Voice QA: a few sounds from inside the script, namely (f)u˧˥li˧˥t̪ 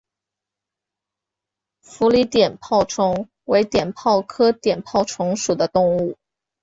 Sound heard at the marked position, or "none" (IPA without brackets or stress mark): f